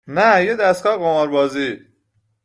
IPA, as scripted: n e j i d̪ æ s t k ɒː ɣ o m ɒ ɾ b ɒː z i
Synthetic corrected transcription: n æ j e d̪ æ s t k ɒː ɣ o m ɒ ɾ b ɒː z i